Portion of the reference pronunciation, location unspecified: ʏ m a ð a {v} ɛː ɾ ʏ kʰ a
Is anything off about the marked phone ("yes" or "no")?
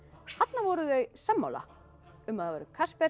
no